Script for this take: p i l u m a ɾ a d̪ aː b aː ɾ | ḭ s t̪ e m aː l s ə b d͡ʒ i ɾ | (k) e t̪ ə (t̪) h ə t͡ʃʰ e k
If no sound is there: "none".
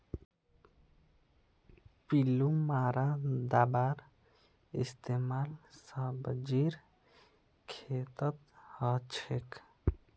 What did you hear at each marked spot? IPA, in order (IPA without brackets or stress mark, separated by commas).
kʰ, t̪